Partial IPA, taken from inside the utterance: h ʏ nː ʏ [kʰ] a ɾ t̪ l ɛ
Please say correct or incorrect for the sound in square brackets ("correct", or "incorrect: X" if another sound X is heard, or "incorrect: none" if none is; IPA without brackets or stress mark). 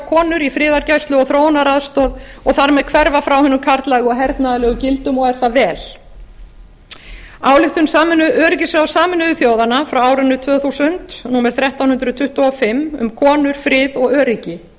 correct